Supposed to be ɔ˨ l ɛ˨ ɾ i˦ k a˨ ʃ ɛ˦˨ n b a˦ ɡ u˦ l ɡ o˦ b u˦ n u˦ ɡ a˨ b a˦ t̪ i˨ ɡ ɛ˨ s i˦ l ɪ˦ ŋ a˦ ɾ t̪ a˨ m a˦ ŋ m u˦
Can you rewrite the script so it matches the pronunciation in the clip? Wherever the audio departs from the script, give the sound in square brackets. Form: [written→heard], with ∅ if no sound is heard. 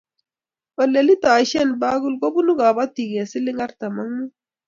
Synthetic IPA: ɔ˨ l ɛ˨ [ɾ→l] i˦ [k→t] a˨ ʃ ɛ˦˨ n b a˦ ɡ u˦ l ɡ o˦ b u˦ n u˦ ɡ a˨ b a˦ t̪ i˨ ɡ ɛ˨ s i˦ l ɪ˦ ŋ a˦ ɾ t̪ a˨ m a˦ ŋ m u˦